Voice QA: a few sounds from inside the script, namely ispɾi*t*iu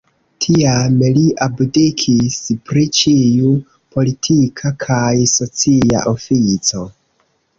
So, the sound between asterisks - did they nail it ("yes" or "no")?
no